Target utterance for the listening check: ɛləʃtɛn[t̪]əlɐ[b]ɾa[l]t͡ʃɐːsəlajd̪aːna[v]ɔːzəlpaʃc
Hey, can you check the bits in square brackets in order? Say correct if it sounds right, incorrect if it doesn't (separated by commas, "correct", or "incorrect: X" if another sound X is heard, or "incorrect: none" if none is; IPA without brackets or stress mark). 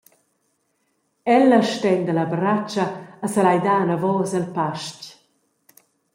incorrect: d̪, correct, incorrect: none, correct